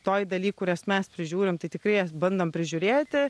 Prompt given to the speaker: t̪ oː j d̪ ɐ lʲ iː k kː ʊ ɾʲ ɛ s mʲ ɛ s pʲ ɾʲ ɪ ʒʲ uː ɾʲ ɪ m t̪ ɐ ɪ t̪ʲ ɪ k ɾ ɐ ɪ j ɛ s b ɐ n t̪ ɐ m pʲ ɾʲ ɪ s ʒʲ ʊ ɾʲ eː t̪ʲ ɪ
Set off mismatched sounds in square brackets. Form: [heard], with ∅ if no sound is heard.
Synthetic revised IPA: t̪ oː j d̪ ɐ lʲ iː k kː ʊ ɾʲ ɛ s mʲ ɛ s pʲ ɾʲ ɪ ʒʲ uː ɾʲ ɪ m t̪ ɐ ɪ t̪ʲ ɪ k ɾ ɐ ɪ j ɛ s b ɐ n [d̪] ɐ m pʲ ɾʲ ɪ [∅] ʒʲ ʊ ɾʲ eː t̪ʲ ɪ